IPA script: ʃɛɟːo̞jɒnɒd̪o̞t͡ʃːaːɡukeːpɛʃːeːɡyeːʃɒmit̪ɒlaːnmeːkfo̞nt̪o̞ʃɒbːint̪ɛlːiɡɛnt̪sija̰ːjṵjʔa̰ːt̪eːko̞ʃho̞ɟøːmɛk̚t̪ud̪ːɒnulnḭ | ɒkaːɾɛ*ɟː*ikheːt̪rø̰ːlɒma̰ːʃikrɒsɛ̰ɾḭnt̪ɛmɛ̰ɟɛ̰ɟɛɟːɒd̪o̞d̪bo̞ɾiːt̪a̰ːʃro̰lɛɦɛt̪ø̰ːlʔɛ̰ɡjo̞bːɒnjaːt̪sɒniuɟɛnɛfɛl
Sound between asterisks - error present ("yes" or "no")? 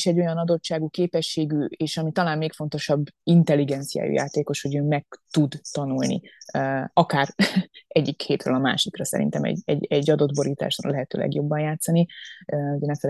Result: no